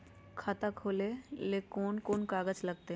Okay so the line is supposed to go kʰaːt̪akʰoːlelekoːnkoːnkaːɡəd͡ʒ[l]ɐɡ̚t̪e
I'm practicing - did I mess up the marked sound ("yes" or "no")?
no